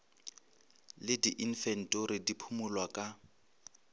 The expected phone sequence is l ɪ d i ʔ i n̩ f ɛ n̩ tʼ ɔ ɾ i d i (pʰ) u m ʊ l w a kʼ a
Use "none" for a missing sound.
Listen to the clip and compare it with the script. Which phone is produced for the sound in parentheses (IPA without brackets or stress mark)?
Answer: pʰ